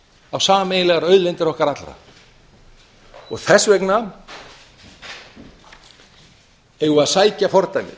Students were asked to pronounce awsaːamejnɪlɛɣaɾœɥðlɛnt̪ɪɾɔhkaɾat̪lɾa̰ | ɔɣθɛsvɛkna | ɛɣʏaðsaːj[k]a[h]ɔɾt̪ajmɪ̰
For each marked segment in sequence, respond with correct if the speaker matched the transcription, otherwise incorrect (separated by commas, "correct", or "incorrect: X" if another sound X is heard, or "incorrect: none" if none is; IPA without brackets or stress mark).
incorrect: c, incorrect: f